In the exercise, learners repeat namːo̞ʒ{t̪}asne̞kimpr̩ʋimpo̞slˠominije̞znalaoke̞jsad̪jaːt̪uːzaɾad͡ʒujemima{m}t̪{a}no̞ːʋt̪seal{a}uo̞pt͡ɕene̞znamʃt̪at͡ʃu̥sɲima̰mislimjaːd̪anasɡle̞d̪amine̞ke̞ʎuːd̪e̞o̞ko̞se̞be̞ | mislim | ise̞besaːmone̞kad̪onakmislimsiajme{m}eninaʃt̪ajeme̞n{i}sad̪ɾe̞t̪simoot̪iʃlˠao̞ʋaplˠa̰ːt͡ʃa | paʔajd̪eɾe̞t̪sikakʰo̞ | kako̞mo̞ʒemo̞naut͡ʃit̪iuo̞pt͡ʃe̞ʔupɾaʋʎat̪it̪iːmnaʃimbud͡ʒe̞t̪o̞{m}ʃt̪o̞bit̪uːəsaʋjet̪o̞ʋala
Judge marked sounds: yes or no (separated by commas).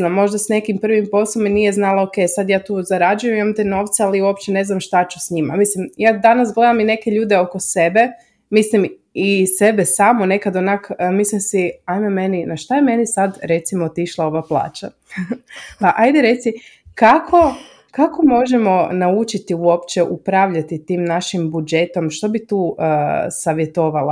no, yes, no, no, yes, yes, yes